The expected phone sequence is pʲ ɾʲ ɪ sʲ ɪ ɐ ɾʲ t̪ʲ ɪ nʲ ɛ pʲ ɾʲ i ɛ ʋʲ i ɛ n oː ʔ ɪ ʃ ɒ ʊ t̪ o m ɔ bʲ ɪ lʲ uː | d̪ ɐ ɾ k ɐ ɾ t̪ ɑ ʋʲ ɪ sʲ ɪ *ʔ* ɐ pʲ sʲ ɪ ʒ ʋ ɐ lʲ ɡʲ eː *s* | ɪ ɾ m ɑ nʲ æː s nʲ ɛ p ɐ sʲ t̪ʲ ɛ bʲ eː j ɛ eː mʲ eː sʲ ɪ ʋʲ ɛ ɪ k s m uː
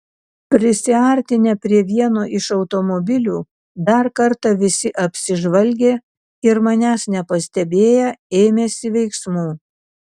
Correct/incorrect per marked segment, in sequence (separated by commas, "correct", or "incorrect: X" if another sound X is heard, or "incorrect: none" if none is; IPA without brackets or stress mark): correct, incorrect: none